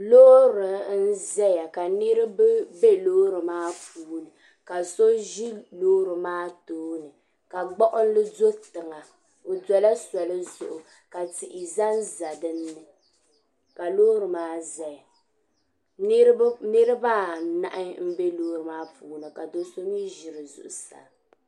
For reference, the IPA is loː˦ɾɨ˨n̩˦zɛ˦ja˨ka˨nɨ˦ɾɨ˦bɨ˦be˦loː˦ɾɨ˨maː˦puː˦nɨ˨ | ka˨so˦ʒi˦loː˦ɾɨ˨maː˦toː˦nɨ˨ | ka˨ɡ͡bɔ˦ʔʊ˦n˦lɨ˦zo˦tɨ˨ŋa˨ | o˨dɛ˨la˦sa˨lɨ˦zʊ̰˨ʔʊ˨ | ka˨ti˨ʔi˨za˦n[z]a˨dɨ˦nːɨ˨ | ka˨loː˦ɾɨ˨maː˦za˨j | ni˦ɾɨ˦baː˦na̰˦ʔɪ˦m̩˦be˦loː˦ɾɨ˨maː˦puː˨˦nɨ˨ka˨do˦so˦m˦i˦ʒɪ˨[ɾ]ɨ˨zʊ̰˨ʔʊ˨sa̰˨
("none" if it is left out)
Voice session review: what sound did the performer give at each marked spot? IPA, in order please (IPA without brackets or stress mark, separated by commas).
z, ɾ